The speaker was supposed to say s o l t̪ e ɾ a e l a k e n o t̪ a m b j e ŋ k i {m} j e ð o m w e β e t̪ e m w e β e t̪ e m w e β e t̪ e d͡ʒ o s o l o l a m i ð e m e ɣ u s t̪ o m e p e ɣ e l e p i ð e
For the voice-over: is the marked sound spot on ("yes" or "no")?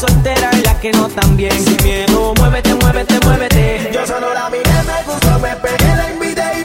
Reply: yes